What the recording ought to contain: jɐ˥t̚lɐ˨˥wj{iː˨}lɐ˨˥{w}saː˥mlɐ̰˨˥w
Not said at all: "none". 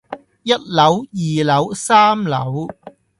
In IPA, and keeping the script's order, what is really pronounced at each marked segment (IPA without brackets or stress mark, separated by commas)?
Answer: iː˨, w